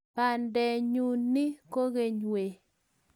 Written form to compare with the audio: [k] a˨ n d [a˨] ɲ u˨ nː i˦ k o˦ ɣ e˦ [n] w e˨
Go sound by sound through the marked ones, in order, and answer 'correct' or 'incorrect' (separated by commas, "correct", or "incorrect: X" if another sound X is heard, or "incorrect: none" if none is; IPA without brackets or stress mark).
incorrect: p, incorrect: ɛ˨, incorrect: ɲ